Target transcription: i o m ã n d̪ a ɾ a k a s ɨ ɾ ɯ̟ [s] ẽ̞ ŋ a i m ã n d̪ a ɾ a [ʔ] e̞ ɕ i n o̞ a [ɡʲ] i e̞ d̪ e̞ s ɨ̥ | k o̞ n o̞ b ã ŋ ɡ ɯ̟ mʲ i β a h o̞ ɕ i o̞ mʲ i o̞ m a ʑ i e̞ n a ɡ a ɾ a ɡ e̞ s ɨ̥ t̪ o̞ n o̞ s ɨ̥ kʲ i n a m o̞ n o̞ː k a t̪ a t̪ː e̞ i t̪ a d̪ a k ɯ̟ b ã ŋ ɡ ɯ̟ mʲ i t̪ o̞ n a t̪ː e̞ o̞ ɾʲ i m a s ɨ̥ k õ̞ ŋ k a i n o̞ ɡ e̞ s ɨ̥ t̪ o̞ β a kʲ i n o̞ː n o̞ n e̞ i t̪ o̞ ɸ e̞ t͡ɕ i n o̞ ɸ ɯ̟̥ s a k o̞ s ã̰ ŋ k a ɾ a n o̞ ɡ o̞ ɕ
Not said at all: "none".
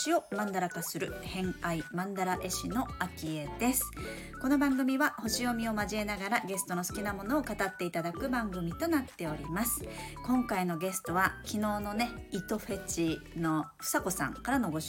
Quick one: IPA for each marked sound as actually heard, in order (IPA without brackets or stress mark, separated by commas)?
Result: h, ʔ, kʲ